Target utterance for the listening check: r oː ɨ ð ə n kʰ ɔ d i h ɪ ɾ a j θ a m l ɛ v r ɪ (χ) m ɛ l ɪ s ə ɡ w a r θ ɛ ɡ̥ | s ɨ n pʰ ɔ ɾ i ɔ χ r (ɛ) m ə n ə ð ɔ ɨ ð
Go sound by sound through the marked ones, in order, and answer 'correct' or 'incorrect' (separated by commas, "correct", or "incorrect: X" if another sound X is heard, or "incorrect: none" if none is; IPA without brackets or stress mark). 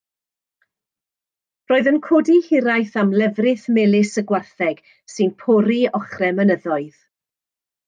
incorrect: θ, correct